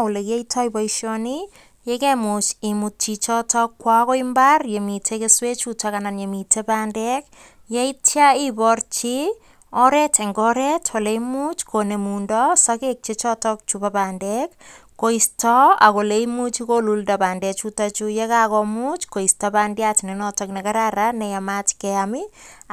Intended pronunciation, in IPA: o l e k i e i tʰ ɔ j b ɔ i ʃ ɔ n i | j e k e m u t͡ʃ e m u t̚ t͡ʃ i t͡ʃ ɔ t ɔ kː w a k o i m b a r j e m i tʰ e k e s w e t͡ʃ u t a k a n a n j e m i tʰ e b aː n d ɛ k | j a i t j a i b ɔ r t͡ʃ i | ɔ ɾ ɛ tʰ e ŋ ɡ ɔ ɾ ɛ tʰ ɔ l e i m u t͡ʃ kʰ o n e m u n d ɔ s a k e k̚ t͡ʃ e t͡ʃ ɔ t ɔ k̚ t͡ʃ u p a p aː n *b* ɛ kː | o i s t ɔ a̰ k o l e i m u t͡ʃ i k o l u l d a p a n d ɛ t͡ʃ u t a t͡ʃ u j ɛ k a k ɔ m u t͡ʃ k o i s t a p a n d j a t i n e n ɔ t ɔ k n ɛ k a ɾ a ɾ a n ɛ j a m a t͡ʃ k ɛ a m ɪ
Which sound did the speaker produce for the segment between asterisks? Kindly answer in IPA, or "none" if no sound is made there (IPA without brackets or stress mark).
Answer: d